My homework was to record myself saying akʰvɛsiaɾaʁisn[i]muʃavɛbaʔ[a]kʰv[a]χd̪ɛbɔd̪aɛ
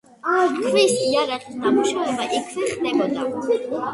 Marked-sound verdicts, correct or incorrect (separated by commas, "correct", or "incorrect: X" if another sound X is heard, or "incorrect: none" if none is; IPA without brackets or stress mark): incorrect: a, incorrect: ɛ, incorrect: ɛ